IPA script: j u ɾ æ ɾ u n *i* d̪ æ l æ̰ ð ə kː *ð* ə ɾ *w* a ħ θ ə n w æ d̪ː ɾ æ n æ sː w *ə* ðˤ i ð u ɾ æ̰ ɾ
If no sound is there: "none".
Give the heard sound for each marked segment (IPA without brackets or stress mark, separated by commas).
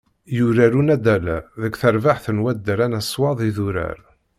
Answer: æ, θ, v, ɑ